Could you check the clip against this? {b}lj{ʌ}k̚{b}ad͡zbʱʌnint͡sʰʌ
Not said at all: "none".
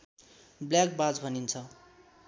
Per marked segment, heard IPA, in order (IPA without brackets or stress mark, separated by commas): b, a, b